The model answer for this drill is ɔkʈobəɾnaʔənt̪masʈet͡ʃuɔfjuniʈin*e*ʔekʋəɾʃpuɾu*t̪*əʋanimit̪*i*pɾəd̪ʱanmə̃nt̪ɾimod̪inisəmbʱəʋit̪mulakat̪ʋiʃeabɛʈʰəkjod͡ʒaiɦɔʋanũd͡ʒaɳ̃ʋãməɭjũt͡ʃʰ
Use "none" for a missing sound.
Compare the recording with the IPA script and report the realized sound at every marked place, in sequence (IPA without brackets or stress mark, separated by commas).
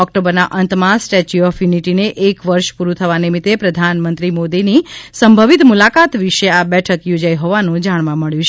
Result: e, t̪ʰ, e